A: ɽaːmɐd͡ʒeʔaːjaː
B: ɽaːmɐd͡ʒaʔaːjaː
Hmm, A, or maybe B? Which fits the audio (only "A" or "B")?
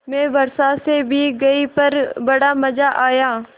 B